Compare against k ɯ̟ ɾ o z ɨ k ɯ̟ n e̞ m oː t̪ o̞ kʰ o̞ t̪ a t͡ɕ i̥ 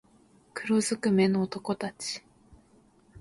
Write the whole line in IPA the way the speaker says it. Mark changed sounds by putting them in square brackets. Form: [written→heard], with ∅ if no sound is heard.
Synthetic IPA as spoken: k ɯ̟ ɾ o z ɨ k ɯ̟ [n→m] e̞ [m→n] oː t̪ o̞ [kʰ→k] o̞ t̪ a t͡ɕ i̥